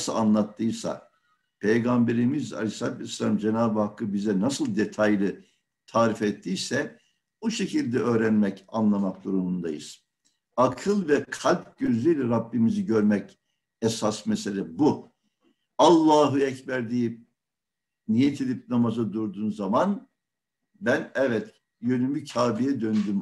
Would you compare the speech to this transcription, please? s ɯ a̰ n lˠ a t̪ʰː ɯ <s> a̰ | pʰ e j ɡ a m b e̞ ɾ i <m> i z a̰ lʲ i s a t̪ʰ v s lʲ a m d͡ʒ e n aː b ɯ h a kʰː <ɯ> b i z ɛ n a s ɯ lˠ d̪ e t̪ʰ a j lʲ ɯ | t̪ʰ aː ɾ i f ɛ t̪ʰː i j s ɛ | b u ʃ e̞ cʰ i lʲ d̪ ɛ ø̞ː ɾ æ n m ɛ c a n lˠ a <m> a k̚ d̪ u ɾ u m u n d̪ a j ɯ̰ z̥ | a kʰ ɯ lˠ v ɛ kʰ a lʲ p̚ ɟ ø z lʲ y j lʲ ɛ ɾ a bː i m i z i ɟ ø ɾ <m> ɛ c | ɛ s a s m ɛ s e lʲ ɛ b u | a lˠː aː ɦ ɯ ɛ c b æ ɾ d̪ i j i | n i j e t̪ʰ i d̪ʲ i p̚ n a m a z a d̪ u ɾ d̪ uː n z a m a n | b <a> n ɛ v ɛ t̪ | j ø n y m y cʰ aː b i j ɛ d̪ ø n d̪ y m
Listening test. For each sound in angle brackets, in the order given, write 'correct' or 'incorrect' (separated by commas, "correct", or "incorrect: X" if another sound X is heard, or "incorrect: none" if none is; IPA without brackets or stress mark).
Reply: correct, correct, correct, correct, correct, incorrect: æ